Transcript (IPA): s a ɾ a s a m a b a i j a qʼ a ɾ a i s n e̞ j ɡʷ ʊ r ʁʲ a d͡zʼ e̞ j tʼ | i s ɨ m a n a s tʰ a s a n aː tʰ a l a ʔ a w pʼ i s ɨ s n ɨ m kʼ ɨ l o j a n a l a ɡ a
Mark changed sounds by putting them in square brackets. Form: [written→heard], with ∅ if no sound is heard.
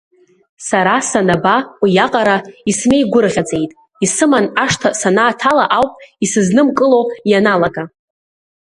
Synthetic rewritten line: s a ɾ a s a [m→n] a b a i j a qʼ a ɾ a i s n e̞ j ɡʷ ʊ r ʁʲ a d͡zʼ e̞ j tʼ | i s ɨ m a n a [s→ʂ] tʰ a s a n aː tʰ a l a ʔ a w pʼ i s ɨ [s→z] n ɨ m kʼ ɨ l o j a n a l a ɡ a